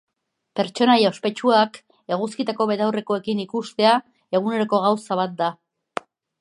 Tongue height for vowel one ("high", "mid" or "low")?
mid